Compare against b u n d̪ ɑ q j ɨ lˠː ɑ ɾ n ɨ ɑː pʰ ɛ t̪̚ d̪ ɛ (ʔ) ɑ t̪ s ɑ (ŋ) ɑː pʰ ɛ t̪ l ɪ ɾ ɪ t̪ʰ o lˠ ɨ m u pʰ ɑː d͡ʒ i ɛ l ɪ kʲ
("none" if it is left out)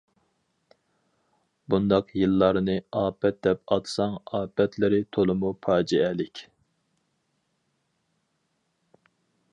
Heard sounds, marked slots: p, ŋ

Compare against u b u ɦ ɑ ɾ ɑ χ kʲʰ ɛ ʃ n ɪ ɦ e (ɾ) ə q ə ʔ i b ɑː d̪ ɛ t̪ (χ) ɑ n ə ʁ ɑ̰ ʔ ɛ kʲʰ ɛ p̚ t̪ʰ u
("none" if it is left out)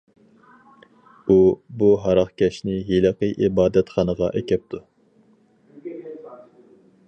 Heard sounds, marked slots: l, χ

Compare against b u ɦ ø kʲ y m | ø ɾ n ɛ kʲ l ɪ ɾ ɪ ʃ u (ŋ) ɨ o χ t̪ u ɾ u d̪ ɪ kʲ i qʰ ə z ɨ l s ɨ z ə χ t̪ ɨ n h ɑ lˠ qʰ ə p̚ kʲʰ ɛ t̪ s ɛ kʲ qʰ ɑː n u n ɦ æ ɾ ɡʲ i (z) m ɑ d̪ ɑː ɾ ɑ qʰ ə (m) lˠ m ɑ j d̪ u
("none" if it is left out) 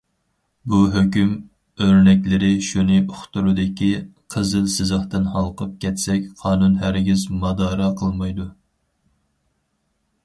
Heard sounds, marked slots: n, z, none

